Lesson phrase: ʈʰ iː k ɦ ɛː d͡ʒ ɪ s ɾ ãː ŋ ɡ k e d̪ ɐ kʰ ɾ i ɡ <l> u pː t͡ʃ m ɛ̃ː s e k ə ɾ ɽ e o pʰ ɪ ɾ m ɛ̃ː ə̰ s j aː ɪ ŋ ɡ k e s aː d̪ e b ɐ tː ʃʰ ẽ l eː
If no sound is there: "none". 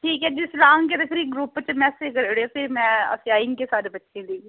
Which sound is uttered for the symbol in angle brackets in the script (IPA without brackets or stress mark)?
ɾ